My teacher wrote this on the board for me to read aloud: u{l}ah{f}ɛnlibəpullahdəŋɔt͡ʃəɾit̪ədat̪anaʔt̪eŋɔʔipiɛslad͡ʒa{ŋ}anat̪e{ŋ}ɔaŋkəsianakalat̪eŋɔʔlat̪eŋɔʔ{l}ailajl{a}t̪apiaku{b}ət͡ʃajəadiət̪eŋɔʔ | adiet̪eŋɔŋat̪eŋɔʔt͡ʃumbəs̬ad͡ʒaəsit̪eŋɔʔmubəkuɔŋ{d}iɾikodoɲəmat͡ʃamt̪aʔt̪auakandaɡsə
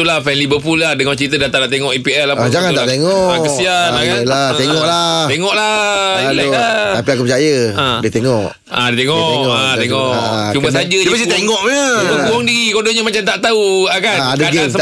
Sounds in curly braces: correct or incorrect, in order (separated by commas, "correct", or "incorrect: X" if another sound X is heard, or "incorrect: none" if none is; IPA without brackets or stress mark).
correct, correct, correct, correct, correct, correct, incorrect: p, correct